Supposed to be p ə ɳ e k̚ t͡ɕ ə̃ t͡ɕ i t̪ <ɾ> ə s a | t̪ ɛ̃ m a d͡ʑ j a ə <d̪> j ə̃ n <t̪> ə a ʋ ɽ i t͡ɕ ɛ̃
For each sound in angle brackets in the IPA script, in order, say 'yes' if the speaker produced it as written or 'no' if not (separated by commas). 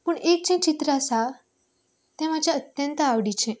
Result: yes, no, yes